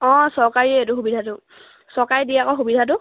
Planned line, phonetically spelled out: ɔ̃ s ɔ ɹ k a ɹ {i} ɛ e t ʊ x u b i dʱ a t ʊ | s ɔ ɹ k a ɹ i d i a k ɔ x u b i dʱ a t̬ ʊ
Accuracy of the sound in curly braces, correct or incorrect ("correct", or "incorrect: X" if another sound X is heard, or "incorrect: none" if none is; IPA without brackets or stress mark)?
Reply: correct